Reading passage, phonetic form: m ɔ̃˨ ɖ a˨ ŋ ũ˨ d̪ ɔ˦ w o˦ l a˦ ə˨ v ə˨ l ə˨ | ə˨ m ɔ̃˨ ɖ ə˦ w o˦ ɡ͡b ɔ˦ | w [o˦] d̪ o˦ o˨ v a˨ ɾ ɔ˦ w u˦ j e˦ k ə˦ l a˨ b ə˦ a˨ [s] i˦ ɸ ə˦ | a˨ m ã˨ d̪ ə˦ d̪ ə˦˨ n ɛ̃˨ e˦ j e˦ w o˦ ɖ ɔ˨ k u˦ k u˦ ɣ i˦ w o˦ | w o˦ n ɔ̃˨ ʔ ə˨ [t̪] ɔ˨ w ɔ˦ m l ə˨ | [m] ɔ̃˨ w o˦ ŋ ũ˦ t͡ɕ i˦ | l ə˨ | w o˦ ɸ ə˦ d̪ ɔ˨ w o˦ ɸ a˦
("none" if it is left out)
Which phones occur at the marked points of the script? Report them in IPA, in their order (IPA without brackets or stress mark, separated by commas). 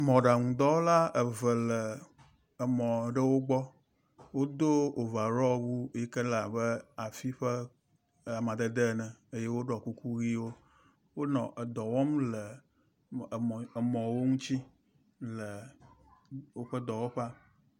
o˦, f, d̪, m